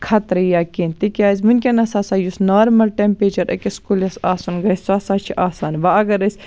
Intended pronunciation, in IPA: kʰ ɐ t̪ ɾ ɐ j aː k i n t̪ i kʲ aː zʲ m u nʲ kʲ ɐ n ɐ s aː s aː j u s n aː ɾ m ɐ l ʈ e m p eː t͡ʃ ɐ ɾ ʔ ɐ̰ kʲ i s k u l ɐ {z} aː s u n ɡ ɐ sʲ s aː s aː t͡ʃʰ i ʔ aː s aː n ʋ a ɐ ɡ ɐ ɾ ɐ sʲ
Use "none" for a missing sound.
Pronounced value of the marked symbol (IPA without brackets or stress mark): s